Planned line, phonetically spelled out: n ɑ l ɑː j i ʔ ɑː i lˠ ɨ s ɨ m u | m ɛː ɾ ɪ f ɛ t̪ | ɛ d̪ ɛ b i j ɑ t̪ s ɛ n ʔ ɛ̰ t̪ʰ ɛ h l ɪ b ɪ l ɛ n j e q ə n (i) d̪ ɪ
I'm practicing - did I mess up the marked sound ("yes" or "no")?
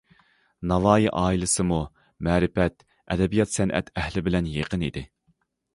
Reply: no